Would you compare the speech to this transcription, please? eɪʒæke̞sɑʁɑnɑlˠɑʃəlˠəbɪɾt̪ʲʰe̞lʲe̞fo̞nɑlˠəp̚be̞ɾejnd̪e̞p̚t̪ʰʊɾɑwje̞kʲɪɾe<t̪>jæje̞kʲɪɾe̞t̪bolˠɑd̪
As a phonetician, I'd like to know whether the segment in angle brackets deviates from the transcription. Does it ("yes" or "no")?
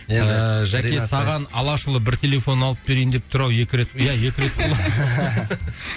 no